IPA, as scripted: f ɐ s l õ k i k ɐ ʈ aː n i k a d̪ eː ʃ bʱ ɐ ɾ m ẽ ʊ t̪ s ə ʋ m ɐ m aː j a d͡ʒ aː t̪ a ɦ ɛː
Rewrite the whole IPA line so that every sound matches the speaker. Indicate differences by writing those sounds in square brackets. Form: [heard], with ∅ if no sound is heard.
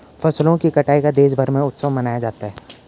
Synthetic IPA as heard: f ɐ s l õ k i k ɐ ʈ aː [∅] i k a d̪ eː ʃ bʱ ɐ ɾ m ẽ ʊ t̪ s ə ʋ m ɐ [n] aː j a d͡ʒ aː t̪ a ɦ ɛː

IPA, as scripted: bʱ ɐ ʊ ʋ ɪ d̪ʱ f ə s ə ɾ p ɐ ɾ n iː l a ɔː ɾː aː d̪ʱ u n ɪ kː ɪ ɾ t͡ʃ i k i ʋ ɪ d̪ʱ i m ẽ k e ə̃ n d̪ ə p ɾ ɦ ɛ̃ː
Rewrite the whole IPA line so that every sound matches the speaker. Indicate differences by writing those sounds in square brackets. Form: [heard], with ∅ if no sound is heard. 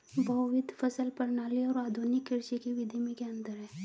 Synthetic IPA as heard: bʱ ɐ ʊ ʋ ɪ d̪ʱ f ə s ə [l] p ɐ ɾ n [aː] l [i] ɔː [ɾ] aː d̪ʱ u n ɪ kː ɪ ɾ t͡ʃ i k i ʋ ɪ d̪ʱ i m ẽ k e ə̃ n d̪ ə [∅] ɾ ɦ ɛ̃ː

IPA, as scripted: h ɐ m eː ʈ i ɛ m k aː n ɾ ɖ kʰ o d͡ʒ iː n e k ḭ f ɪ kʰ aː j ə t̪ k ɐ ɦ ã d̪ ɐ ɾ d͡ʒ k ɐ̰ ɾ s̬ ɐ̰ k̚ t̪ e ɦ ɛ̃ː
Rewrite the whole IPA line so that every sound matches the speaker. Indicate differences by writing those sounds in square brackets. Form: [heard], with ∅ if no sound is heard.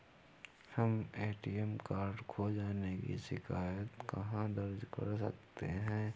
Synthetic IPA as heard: h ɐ m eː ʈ i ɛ m k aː [∅] ɾ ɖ kʰ o d͡ʒ [aː] n e k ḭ [ʃ] ɪ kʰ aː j ə t̪ k ɐ ɦ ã d̪ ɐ ɾ d͡ʒ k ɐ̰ ɾ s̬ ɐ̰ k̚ t̪ e ɦ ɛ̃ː

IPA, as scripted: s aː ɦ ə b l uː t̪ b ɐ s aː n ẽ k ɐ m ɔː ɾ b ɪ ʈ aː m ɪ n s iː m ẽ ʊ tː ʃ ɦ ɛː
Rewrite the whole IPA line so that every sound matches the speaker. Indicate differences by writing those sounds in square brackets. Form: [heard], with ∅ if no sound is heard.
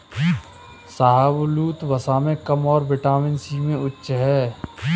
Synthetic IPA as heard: s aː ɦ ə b l uː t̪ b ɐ s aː [m] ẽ k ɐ m ɔː ɾ b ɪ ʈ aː m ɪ n s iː m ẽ ʊ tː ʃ ɦ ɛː

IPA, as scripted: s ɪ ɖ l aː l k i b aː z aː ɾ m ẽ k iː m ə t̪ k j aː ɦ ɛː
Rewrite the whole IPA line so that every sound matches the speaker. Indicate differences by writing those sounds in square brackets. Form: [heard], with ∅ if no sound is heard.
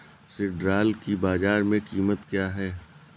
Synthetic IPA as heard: s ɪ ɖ [ɾ] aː l k i b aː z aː ɾ m ẽ k iː m ə t̪ k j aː ɦ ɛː

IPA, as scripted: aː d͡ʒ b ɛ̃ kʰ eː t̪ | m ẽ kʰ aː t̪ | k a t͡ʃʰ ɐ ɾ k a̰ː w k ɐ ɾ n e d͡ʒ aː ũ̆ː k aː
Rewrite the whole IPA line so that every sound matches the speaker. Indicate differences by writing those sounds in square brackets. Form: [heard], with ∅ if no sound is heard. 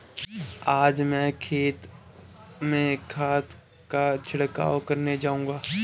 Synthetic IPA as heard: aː d͡ʒ [m] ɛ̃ kʰ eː t̪ | m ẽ kʰ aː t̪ | k a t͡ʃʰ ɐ [ɽ] k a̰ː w k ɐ ɾ n e d͡ʒ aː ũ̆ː [ɡ] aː

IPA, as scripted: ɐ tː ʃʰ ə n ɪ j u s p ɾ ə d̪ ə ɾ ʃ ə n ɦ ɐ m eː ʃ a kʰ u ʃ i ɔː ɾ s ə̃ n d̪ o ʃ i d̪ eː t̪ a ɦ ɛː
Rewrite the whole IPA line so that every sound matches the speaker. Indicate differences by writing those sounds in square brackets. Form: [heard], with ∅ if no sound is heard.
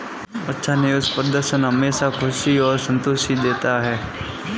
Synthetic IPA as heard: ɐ tː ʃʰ [a] n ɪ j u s p ɾ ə d̪ ə ɾ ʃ ə n ɦ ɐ m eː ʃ a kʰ [ʊ] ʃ i ɔː ɾ s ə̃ n [t̪] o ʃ i d̪ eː t̪ a ɦ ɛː

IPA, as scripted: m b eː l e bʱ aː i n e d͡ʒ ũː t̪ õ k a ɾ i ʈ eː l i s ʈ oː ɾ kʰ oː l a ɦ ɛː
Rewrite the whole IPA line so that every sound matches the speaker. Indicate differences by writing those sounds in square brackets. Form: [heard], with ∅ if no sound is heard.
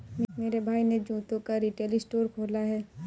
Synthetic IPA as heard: m [m] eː [ɾ] e bʱ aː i n e d͡ʒ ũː t̪ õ k a ɾ i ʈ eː l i s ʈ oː ɾ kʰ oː l a ɦ ɛː

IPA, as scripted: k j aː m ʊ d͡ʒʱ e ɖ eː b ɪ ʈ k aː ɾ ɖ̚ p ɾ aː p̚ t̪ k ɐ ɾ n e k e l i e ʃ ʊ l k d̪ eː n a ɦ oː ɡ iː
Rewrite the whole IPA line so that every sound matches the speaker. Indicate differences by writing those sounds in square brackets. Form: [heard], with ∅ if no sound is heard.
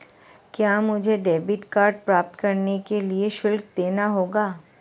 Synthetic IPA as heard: k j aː m ʊ d͡ʒʱ e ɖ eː b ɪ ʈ k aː ɾ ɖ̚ p ɾ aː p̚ t̪ k ɐ ɾ n e k e l i e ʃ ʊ l k d̪ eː n a ɦ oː ɡ [aː]

